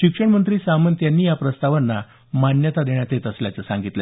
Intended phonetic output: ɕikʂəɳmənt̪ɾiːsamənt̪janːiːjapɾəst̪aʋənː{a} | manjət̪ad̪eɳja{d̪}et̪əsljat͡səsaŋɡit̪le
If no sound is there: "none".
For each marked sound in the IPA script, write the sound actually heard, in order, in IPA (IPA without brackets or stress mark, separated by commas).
a, t̪